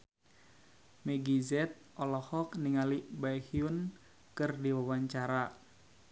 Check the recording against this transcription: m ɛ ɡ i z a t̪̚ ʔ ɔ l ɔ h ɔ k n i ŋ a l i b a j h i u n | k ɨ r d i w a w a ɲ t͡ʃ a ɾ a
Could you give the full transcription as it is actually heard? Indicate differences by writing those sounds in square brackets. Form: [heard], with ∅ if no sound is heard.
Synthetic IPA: m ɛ ɡ i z [ɛ] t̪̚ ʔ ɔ l ɔ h ɔ k n i ŋ a l i b a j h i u n | k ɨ r d i w a w a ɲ t͡ʃ a ɾ a